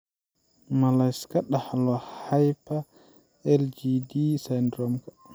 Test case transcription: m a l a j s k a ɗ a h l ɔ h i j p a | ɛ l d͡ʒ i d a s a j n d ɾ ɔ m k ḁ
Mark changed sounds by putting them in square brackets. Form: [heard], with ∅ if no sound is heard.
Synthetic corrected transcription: m a l a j s k a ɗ a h l ɔ h [a] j p a | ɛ l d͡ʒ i d [i] s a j n d ɾ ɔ m k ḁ